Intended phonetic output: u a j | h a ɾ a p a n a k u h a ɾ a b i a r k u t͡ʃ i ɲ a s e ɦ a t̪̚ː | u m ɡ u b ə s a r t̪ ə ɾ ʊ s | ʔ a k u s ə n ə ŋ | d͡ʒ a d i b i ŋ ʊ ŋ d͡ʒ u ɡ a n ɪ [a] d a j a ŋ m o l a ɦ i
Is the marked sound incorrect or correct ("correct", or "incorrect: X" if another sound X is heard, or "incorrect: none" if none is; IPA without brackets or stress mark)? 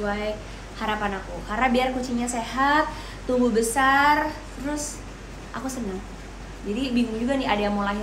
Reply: correct